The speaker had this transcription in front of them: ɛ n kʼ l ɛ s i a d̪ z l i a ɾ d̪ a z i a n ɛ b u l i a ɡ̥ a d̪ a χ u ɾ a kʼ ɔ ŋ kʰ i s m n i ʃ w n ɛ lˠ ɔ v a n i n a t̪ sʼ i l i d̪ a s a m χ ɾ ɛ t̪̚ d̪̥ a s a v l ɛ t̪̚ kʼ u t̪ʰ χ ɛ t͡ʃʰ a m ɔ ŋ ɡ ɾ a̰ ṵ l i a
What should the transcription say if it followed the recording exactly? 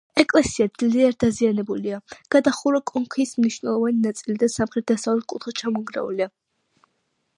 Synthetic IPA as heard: ɛ kʼ l ɛ s i a d̪ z l i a ɾ d̪ a z i a n ɛ b u l i a ɡ̥ a d̪ a χ u ɾ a kʼ ɔ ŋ kʰ i s m n i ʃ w n ɛ lˠ ɔ v a n i n a t̪ sʼ i l i d̪ a s a m χ ɾ ɛ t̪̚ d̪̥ a s a v l ɛ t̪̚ kʼ u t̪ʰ χ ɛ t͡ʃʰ a m ɔ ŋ ɡ ɾ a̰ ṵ l i a